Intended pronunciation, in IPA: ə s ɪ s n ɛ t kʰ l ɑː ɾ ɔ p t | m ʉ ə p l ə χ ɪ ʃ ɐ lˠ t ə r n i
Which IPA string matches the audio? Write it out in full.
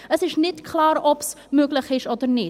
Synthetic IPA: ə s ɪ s n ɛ t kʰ l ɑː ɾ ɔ p s | m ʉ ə k l ə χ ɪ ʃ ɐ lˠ t ə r n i